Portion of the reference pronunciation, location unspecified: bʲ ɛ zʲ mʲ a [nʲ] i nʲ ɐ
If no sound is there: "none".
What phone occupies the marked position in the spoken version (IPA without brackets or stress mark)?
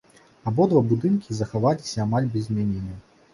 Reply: nʲ